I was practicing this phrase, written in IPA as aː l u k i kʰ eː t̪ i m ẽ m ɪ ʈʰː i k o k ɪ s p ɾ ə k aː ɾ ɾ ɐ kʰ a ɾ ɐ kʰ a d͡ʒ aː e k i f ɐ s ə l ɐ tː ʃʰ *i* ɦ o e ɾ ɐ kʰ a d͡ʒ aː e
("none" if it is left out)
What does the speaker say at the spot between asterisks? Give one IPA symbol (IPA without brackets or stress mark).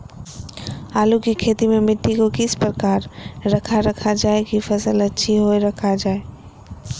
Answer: i